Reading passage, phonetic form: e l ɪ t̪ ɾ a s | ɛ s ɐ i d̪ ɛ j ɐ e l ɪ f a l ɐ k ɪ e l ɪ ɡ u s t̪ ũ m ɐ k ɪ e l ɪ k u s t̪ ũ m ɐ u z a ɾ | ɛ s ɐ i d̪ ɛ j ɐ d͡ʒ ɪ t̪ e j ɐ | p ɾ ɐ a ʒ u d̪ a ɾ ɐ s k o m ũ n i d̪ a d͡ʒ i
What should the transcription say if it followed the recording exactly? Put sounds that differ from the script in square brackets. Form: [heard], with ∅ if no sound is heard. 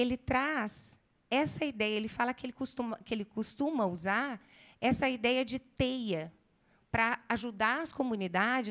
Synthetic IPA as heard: e l ɪ t̪ ɾ a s | ɛ s ɐ i d̪ ɛ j ɐ e l ɪ f a l ɐ k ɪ e l ɪ [k] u s t̪ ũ m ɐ k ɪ e l ɪ k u s t̪ ũ m ɐ u z a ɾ | ɛ s ɐ i d̪ ɛ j ɐ d͡ʒ ɪ t̪ e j ɐ | p ɾ ɐ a ʒ u d̪ a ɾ ɐ s k o m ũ n i d̪ a d͡ʒ [ɪ]